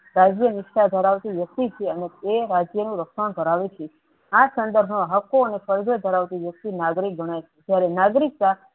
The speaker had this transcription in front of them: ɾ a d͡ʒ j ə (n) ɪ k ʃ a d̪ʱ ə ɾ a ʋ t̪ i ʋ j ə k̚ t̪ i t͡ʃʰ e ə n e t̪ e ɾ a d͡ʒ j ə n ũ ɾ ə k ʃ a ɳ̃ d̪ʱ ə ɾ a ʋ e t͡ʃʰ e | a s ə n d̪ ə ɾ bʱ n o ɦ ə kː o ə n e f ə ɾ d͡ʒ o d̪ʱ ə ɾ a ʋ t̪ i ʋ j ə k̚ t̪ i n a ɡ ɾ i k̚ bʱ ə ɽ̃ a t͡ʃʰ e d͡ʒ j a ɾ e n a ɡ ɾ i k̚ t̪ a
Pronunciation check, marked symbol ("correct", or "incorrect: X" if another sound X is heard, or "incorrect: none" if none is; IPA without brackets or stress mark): correct